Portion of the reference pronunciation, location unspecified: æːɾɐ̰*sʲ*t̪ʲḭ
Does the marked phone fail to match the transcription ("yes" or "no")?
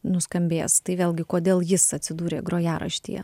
yes